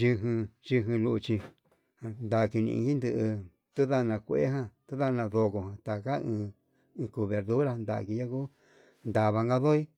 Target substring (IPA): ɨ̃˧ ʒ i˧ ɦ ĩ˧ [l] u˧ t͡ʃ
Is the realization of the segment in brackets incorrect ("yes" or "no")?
no